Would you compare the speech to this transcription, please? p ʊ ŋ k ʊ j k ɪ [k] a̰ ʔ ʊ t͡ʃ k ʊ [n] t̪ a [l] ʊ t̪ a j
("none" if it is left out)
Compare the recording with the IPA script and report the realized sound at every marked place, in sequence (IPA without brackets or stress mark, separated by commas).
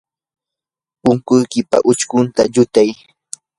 p, n, ʎ